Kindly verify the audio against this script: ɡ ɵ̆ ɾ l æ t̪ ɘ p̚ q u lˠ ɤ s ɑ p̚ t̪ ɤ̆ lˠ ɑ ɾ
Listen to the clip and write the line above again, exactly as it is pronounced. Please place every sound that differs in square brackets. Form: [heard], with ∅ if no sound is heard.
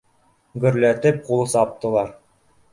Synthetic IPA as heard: ɡ ɵ̆ ɾ l æ t̪ ɘ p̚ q u lˠ ɤ s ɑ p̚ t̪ ɤ̆ lˠ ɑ ɾ

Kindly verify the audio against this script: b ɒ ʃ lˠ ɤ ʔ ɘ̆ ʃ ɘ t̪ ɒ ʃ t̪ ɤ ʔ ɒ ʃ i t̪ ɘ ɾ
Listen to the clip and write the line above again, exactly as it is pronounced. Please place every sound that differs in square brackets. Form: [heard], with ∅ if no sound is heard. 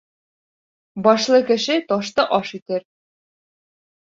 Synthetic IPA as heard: b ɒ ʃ lˠ ɤ [k] ɘ̆ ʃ ɘ t̪ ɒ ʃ t̪ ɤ ʔ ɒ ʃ i t̪ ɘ ɾ

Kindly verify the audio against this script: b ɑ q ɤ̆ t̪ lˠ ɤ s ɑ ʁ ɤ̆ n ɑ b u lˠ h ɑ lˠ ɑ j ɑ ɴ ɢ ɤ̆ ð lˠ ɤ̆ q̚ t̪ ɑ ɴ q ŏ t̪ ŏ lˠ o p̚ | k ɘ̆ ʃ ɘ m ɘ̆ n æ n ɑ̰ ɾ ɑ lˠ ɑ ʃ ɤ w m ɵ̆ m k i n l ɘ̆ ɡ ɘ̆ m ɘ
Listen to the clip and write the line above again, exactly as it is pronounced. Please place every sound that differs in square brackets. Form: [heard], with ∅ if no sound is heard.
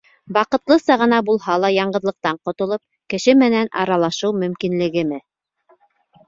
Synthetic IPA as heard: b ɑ q ɤ̆ t̪ lˠ ɤ s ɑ ʁ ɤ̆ n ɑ b u lˠ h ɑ lˠ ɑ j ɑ ɴ ɢ ɤ̆ ð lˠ ɤ̆ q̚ t̪ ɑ ɴ q ŏ t̪ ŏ lˠ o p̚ | k ɘ̆ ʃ ɘ m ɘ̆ n æ n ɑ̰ ɾ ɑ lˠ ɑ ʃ ɤ w m ɵ̆ m k i n l ɘ̆ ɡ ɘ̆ m ɘ

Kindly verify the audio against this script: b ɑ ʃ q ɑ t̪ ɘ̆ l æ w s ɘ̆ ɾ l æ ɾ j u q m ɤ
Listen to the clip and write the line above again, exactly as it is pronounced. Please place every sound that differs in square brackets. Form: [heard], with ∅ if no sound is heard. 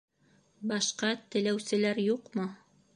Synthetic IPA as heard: b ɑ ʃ q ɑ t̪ ɘ̆ l æ w s ɘ̆ [∅] l æ ɾ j u q m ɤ

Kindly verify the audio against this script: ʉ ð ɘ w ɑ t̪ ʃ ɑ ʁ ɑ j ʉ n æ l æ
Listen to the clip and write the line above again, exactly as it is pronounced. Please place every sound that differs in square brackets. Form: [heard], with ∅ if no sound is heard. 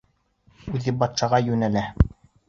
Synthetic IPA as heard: ʉ ð ɘ [b] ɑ t̪ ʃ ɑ ʁ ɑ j ʉ n æ l æ

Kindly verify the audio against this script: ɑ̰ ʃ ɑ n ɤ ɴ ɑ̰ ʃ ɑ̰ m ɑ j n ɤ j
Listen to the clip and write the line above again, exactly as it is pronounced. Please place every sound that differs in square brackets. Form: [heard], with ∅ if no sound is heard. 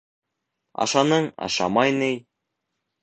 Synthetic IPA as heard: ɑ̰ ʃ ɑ n ɤ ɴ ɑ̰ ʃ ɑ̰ m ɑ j n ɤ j

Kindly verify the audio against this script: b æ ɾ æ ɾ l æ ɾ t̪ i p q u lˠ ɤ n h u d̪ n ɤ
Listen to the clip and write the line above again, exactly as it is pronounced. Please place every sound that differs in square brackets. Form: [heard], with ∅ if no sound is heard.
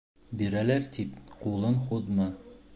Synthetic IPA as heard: b [i] ɾ æ [∅] l æ ɾ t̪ i p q u lˠ ɤ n [χ] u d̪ [m] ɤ

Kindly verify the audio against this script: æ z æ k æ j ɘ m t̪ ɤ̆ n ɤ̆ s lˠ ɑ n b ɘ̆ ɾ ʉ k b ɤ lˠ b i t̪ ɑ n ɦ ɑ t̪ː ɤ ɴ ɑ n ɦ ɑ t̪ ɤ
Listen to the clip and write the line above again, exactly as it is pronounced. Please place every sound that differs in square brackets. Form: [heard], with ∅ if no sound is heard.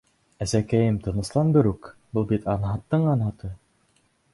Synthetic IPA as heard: æ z æ k æ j ɘ m t̪ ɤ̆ n ɤ̆ s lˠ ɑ n b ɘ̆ ɾ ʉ k b ɤ lˠ b i t̪ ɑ n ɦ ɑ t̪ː ɤ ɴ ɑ n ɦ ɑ t̪ ɤ

